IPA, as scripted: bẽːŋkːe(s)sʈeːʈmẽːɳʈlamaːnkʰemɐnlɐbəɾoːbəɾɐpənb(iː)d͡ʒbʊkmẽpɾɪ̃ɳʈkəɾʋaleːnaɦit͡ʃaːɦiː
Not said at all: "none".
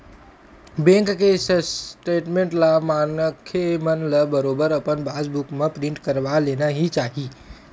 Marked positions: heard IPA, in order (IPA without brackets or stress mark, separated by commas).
s, aː